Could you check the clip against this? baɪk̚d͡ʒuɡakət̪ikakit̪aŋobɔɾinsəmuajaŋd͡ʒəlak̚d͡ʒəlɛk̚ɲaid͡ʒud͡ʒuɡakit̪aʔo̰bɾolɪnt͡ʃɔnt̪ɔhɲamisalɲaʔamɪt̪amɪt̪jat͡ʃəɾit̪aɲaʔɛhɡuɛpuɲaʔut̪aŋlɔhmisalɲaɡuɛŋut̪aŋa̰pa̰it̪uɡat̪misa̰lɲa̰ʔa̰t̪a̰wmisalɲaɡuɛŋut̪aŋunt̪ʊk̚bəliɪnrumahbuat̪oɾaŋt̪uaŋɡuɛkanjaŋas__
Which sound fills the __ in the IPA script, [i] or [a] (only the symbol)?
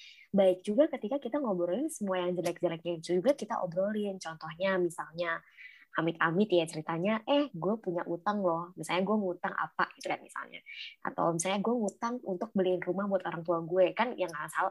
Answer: a